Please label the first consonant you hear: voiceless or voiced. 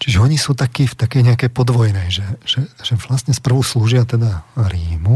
voiceless